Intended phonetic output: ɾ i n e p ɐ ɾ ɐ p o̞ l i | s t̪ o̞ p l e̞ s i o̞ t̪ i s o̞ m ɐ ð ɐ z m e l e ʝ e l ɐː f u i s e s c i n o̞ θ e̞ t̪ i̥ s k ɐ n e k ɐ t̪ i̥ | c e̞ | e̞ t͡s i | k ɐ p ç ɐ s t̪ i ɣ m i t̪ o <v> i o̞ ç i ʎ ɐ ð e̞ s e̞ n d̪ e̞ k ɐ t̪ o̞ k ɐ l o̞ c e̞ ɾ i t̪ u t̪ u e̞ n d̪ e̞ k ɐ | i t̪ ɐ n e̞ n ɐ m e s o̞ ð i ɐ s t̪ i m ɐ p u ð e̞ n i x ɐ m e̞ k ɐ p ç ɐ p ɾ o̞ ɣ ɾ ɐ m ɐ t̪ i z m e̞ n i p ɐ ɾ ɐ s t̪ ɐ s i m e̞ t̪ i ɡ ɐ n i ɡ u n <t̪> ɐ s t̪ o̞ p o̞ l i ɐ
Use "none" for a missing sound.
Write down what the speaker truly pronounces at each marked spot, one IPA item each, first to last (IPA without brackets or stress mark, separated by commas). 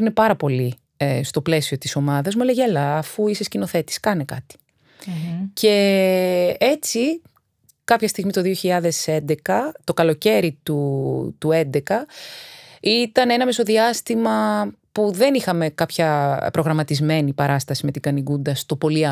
ð, d̪